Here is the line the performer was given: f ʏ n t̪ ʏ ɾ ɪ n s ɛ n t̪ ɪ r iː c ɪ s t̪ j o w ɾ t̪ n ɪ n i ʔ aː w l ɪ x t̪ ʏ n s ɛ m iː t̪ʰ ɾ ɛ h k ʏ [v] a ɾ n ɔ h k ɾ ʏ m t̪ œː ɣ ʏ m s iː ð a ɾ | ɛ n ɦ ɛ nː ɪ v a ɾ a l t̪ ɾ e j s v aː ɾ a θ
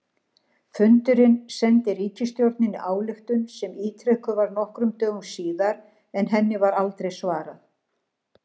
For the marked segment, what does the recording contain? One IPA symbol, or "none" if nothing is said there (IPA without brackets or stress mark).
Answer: v